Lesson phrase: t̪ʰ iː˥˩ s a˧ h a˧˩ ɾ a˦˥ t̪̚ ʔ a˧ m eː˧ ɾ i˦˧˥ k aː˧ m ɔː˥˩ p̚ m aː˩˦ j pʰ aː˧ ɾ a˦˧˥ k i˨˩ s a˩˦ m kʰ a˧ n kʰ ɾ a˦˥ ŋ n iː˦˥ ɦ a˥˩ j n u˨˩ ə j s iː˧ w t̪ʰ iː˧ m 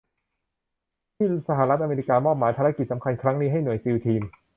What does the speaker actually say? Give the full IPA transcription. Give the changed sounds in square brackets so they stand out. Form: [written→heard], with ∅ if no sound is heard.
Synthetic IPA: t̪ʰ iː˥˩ s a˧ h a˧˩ ɾ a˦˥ t̪̚ ʔ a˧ m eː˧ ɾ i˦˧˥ k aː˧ m ɔː˥˩ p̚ m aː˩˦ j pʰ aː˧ ɾ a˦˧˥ k i˨˩ s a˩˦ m kʰ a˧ n kʰ ɾ a˦˥ ŋ n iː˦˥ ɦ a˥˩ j n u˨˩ ə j s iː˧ w t̪ʰ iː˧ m